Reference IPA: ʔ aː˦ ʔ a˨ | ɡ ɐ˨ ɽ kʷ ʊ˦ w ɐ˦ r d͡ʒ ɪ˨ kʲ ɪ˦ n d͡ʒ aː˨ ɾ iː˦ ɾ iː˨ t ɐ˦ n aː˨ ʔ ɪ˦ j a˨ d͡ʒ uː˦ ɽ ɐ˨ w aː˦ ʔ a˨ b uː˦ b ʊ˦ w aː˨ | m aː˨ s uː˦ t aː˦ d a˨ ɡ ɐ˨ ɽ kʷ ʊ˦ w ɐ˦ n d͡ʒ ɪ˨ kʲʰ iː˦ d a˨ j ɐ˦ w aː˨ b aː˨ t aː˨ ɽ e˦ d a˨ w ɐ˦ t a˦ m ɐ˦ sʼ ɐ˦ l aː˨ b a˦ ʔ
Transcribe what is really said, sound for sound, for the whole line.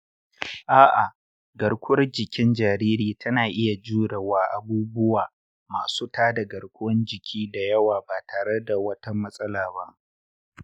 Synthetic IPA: ʔ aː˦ ʔ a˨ | ɡ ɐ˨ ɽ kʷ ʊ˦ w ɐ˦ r d͡ʒ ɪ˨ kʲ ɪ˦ n d͡ʒ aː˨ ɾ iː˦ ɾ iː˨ t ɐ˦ n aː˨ ʔ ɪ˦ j a˨ d͡ʒ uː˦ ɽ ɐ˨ w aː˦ ʔ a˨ b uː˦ b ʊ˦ w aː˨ | m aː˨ s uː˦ t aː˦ d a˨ ɡ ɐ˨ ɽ kʷ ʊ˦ w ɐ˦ n d͡ʒ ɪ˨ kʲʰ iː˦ d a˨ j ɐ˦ w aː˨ b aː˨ t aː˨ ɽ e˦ d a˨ w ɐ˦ t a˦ m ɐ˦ sʼ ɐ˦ l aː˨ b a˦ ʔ